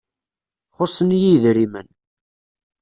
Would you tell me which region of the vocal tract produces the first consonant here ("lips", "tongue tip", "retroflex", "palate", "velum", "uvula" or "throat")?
uvula